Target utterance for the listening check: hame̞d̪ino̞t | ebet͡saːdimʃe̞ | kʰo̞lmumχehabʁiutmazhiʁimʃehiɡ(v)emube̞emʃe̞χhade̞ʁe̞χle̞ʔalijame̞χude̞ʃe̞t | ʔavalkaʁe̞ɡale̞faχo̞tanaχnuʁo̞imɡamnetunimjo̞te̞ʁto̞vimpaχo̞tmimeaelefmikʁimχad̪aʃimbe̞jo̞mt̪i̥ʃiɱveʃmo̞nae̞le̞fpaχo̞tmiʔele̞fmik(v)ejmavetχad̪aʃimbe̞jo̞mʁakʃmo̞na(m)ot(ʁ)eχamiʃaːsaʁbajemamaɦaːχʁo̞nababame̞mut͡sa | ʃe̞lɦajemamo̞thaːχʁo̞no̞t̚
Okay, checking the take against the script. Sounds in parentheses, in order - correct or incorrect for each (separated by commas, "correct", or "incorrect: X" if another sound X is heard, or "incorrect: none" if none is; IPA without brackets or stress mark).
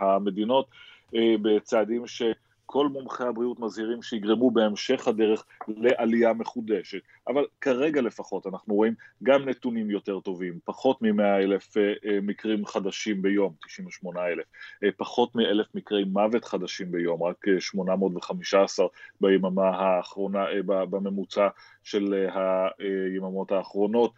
incorrect: ʁ, incorrect: ʁ, correct, incorrect: v